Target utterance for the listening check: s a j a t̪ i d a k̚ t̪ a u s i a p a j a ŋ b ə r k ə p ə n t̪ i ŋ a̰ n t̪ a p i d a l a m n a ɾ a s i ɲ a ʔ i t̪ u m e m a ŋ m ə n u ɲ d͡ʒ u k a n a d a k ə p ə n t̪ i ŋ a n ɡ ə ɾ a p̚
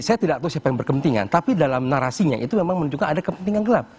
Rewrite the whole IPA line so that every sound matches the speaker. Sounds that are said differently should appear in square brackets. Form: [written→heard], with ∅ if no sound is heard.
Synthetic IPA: s a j a t̪ i d a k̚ t̪ a u s i a p a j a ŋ b ə r k ə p ə n t̪ i ŋ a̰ n t̪ a p i d a l a m n a ɾ a s i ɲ a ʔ i t̪ u m e m a ŋ m ə n u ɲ d͡ʒ u k a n a d a k ə p ə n t̪ i ŋ a n ɡ ə [ɾ→l] a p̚